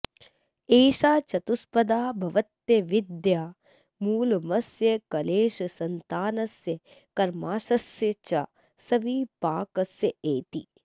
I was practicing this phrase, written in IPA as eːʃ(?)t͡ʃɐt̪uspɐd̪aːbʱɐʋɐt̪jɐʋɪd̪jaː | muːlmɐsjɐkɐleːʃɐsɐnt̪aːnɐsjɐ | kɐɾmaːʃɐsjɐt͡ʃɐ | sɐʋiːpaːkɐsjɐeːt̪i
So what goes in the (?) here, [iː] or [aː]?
aː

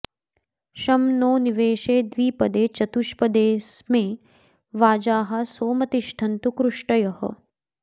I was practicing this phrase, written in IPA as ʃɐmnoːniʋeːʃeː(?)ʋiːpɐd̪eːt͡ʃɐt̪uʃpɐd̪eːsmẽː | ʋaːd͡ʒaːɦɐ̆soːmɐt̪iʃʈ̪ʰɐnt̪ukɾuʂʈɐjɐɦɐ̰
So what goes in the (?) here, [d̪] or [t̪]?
d̪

